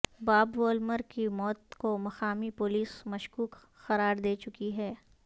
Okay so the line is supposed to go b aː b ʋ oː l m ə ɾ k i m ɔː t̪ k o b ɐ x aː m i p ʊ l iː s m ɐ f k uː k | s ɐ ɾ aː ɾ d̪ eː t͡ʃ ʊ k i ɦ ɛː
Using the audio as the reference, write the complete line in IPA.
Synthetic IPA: b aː b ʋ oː l m ə ɾ k i m ɔː t̪ k o m ɐ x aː m i p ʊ l iː s m ɐ ʃ k uː k | x ɐ ɾ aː ɾ d̪ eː t͡ʃ ʊ k i ɦ ɛː